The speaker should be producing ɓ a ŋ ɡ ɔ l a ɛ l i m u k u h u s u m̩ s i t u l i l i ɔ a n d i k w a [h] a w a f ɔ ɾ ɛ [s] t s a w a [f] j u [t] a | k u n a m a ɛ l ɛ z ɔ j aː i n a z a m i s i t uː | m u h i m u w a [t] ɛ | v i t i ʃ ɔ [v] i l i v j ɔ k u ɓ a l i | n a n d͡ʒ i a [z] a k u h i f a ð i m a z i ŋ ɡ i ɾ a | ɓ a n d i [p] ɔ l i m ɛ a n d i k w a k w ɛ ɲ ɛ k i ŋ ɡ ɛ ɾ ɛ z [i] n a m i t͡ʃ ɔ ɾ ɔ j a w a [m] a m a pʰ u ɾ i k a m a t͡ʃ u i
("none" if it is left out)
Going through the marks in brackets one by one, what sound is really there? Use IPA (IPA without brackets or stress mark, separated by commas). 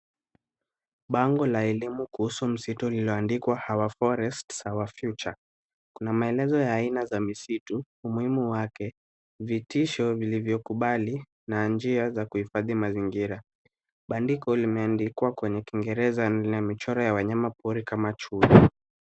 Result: h, s, f, t͡ʃ, k, v, z, k, a, ɲ